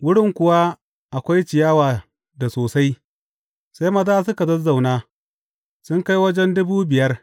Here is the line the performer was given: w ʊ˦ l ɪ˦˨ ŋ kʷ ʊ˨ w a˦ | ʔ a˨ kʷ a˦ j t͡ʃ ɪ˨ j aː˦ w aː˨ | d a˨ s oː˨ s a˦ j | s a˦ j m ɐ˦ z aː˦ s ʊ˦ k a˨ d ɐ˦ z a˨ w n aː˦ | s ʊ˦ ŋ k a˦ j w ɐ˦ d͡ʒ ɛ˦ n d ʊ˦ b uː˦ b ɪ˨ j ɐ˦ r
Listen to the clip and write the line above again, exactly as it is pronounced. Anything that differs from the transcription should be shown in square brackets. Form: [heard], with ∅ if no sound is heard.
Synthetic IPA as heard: w ʊ˦ [ɽ] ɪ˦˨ ŋ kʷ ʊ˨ w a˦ | ʔ a˨ kʷ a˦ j t͡ʃ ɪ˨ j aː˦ w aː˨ | d a˨ s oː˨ s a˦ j | s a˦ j m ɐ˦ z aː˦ s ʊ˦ k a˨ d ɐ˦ z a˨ w n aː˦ | s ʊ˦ ŋ k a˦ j w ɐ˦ d͡ʒ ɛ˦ n d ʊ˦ b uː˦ b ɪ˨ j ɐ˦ r